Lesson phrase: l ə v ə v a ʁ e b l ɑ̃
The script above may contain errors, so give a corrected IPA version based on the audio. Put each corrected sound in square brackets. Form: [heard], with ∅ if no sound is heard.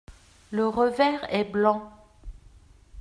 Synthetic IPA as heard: l ə [ʁ] ə v [ɛ] ʁ [ɛ] b l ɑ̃